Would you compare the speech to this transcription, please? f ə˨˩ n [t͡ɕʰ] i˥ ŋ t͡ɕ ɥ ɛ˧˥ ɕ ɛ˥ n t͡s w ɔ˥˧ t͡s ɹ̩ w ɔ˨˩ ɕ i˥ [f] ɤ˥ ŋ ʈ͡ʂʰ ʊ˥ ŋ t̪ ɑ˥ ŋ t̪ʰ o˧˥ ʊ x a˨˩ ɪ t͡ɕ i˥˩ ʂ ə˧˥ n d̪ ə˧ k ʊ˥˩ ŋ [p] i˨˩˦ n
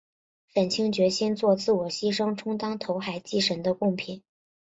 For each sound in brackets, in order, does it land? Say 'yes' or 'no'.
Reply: yes, no, no

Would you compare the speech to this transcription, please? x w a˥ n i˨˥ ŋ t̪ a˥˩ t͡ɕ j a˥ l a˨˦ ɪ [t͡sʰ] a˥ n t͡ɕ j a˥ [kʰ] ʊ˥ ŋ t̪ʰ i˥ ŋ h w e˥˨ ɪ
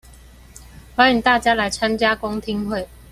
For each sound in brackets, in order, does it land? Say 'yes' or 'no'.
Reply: yes, no

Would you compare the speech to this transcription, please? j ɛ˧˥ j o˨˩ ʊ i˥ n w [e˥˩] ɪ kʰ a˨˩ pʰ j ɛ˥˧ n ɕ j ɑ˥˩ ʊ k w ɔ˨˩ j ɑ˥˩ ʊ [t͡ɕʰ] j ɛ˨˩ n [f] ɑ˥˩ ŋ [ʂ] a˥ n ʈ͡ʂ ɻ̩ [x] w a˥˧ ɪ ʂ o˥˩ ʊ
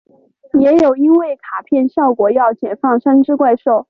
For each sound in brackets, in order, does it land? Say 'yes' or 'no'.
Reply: yes, no, yes, yes, no

